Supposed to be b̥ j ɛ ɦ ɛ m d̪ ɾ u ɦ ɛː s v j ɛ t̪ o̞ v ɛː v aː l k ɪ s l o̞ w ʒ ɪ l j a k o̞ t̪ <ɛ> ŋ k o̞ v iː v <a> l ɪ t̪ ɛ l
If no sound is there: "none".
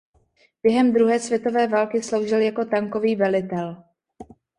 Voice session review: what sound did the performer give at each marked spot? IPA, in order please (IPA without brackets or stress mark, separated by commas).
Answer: a, ɛ